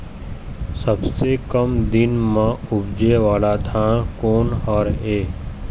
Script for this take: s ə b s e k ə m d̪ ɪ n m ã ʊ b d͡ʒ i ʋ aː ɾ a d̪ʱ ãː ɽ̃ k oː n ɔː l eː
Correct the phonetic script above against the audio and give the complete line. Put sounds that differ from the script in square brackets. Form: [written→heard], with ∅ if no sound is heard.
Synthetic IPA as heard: s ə b s e k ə m d̪ ɪ n m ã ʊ b d͡ʒ [i→e] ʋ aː [ɾ→l] a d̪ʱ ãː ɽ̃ k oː n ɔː [l→ɾ] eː